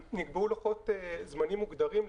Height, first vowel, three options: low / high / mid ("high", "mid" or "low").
high